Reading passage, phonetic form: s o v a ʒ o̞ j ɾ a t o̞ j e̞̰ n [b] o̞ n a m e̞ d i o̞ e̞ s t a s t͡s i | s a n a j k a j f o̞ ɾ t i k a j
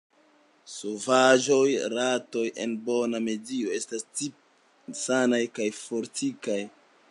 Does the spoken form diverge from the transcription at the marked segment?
no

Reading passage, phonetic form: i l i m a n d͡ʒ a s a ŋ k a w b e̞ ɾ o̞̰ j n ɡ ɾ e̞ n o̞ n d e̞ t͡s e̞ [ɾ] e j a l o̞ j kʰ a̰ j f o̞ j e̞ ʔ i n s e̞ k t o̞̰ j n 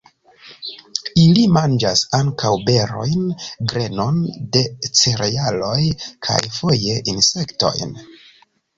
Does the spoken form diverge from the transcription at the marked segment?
no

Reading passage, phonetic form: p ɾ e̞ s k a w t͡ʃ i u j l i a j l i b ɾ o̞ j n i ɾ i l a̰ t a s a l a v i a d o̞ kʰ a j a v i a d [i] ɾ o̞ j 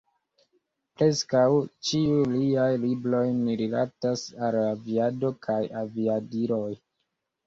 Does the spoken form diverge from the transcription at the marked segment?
no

